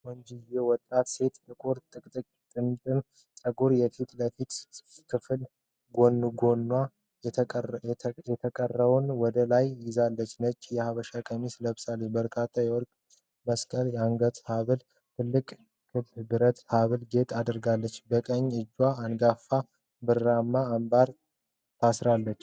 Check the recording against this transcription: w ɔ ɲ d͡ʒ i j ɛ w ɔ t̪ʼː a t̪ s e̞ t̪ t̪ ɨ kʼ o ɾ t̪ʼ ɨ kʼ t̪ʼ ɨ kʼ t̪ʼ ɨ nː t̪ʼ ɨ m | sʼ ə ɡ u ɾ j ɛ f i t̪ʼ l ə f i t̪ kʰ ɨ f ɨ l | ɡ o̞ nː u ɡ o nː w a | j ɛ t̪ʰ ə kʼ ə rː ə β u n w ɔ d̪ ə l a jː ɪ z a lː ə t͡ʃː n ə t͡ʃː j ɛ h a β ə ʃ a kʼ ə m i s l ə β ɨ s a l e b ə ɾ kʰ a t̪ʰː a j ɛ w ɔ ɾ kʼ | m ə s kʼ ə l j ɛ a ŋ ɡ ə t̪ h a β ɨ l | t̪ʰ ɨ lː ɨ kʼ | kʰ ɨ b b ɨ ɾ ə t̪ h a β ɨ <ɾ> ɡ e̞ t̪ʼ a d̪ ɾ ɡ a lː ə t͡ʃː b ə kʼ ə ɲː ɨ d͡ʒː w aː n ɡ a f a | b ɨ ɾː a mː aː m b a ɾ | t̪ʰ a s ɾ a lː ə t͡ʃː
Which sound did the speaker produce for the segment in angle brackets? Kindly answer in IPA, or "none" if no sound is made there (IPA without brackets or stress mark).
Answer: l